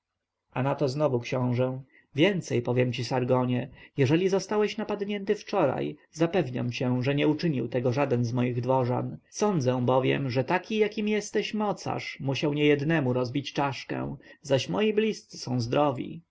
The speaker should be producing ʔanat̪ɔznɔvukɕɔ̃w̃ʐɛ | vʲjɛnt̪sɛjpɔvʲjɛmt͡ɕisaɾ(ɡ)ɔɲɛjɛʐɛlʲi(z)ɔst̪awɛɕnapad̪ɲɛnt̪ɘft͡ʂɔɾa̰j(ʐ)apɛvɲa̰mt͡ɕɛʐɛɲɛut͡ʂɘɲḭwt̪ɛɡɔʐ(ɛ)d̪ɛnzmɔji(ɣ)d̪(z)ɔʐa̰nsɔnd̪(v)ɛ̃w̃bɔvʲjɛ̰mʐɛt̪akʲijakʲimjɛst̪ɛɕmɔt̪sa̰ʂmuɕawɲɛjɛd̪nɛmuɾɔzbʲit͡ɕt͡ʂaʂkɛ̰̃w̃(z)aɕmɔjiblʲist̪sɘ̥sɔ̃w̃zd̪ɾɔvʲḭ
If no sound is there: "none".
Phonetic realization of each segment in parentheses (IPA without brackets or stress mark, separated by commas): ɡ, z, z, a, ɣ, v, z, z